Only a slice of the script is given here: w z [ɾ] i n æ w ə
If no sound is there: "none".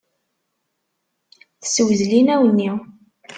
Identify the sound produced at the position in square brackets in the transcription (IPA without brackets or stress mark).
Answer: l